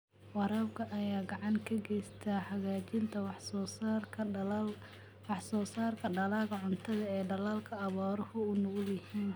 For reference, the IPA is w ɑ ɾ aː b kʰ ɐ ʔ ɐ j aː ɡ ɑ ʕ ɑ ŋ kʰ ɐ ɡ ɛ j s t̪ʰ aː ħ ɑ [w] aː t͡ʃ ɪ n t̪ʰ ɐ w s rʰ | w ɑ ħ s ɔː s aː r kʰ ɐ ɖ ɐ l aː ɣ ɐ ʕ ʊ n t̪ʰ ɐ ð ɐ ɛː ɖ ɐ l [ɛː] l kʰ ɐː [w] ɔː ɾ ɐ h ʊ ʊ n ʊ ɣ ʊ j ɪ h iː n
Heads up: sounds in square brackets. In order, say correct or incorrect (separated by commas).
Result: incorrect, incorrect, incorrect